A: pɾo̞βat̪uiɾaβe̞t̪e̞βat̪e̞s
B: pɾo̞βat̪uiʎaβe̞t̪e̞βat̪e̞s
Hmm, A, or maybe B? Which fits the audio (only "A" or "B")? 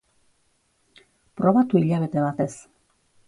B